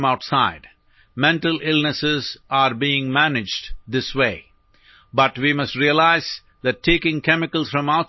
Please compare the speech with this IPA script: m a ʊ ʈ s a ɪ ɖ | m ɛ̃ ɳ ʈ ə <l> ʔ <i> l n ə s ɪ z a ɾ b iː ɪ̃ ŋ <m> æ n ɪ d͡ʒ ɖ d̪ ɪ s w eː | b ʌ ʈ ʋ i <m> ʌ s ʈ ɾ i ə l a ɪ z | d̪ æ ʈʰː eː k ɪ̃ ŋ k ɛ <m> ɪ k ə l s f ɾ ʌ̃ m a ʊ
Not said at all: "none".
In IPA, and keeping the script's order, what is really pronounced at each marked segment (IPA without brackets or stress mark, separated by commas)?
l, ɪ, m, m, m